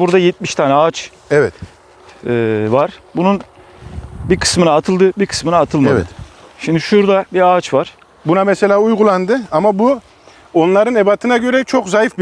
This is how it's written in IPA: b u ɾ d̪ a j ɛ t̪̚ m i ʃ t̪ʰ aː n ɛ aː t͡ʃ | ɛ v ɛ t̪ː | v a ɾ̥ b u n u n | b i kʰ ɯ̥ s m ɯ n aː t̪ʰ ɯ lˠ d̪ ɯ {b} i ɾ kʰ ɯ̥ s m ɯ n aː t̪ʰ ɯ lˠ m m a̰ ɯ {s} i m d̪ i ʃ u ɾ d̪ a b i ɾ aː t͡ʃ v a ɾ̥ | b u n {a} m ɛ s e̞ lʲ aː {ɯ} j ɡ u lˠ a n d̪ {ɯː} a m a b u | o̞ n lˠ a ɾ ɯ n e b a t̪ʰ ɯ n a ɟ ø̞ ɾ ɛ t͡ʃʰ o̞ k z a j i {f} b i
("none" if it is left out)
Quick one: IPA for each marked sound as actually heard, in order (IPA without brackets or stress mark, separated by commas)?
b, ʃ, a, u, ɯ, f